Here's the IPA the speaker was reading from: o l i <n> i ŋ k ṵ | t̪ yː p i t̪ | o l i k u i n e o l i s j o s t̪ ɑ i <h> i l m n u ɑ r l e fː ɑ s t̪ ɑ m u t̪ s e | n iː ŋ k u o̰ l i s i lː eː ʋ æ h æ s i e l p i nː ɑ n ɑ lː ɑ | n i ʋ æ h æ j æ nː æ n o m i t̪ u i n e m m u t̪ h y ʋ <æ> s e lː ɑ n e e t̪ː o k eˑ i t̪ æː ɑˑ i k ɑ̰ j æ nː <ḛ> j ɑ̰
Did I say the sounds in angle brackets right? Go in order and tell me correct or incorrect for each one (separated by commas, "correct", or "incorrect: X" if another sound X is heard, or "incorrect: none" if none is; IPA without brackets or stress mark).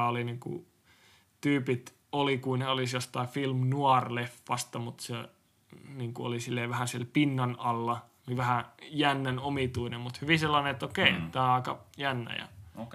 correct, incorrect: f, incorrect: i, incorrect: æ̰